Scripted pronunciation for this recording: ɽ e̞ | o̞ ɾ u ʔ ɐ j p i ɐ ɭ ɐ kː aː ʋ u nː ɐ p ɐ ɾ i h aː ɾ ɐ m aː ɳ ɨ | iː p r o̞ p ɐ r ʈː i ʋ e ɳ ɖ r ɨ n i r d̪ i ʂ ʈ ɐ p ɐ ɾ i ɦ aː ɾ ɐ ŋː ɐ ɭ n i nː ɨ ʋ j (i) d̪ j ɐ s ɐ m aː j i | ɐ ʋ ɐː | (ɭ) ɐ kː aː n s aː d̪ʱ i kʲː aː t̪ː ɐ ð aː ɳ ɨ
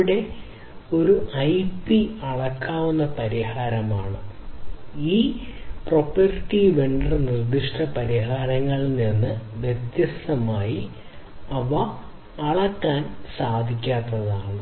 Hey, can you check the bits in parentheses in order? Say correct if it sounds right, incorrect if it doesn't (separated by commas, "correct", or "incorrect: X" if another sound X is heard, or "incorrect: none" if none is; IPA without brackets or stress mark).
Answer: incorrect: e, correct